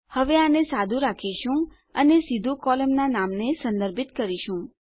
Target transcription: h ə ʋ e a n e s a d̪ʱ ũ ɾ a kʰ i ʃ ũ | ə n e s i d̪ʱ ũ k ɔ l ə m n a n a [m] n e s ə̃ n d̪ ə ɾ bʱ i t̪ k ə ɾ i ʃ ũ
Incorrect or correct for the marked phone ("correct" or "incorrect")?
correct